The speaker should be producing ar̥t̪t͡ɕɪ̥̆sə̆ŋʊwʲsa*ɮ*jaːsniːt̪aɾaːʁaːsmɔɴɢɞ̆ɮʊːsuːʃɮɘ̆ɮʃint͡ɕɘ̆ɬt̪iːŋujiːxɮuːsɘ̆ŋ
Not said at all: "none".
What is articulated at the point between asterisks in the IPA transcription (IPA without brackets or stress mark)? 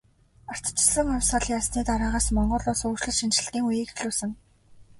ɮ